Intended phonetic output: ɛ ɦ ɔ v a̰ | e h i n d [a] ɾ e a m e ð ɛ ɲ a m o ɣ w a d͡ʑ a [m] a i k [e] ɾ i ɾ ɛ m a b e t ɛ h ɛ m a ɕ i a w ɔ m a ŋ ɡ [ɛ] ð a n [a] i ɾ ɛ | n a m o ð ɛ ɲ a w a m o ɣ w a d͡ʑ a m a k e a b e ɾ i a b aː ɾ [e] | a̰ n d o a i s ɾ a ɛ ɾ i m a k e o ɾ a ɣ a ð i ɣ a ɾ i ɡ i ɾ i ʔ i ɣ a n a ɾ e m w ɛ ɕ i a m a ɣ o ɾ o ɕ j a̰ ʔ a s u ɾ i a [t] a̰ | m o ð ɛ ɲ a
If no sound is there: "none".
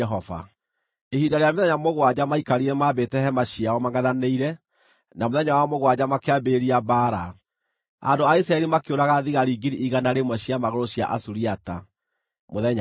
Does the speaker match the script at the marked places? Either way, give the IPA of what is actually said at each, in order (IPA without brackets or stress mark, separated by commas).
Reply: a, m, a, a, e, a, t